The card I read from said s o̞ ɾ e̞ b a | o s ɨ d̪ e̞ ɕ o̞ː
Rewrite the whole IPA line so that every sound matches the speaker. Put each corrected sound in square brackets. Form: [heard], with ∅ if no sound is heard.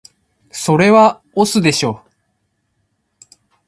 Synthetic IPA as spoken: s o̞ ɾ e̞ [β] a | o s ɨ d̪ e̞ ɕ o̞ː